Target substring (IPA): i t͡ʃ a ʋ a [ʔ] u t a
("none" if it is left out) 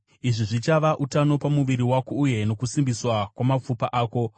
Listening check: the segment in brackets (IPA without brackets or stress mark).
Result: ʔ